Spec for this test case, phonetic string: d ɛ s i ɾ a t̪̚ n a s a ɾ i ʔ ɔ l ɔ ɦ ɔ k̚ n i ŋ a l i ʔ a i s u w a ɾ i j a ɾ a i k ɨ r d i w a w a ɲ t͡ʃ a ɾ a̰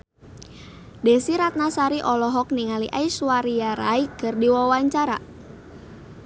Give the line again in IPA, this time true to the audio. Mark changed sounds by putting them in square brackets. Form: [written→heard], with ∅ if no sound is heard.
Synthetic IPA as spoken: d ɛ s i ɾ a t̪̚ n a s a ɾ i ʔ ɔ l ɔ ɦ ɔ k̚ n i ŋ a l i ʔ a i s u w a ɾ i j a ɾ a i k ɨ r d i w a w a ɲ t͡ʃ a ɾ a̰